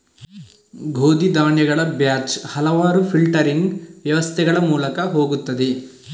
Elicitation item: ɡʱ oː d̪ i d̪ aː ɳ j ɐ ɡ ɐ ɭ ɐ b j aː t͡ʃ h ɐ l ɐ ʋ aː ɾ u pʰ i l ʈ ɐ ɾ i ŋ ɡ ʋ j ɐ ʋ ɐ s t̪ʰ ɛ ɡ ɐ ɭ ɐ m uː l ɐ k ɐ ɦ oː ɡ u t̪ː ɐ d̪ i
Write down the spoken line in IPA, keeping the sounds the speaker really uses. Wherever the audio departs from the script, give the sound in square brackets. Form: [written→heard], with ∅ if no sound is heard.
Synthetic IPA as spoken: ɡʱ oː d̪ i d̪ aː ɳ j ɐ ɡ ɐ ɭ ɐ b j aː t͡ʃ h ɐ l ɐ ʋ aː ɾ u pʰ i l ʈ ɐ ɾ i ŋ ɡ ʋ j ɐ ʋ ɐ s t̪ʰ ɛ ɡ ɐ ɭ ɐ m uː l ɐ k ɐ ɦ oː ɡ u t̪ː ɐ d̪ i